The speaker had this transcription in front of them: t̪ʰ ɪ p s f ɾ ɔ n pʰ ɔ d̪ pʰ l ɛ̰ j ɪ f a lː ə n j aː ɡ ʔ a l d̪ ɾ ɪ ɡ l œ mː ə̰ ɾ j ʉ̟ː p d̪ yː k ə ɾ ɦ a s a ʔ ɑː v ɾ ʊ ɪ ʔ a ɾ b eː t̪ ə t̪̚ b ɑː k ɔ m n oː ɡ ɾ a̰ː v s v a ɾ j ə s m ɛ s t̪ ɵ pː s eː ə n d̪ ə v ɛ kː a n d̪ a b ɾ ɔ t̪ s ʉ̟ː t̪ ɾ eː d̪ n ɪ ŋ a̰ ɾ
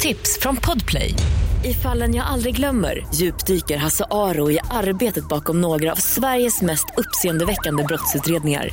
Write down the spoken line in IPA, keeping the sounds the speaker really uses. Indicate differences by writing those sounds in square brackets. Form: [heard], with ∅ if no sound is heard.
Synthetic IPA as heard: t̪ʰ ɪ p s f ɾ ɔ n pʰ ɔ d̪ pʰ l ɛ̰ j ɪ f a lː ə n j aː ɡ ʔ a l d̪ ɾ ɪ ɡ l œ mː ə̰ ɾ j ʉ̟ː p d̪ yː k ə ɾ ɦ a s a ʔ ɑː [∅] ɾ ʊ ɪ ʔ a ɾ b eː t̪ ə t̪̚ b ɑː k ɔ m n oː ɡ ɾ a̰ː v s v [æ] ɾ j ə s m ɛ s t̪ ɵ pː s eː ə n d̪ ə v ɛ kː a n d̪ [ə] b ɾ ɔ t̪ s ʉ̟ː t̪ ɾ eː d̪ n ɪ ŋ a̰ ɾ